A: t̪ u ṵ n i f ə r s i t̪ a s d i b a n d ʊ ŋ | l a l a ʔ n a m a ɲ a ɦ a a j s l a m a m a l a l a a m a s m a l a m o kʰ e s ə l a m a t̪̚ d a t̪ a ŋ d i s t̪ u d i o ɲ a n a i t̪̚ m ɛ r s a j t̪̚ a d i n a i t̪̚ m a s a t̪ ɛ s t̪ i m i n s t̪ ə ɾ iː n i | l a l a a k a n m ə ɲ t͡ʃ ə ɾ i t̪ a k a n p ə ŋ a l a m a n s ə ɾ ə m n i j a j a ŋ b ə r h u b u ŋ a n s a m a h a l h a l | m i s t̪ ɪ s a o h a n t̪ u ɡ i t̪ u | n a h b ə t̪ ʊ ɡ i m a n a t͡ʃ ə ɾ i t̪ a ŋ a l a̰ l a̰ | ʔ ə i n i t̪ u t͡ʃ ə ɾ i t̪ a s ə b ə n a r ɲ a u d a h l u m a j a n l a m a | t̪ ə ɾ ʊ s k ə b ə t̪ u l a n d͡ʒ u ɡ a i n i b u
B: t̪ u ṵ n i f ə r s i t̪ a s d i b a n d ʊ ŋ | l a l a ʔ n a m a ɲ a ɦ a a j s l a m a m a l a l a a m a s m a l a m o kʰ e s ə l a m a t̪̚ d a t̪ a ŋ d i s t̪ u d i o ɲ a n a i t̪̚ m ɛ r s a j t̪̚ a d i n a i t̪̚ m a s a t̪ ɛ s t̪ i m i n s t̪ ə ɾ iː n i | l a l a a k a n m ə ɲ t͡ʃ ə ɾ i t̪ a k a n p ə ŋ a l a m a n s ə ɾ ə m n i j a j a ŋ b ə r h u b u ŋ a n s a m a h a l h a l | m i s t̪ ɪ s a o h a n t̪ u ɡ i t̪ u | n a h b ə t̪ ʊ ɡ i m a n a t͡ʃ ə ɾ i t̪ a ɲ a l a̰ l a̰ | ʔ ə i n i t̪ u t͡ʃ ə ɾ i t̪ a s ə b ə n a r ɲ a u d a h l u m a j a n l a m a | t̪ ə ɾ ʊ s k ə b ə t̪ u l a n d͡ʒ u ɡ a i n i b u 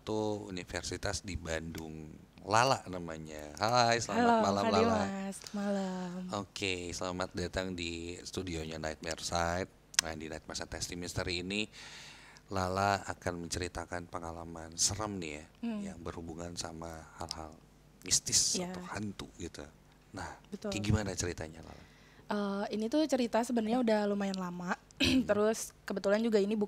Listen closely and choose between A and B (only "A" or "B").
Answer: B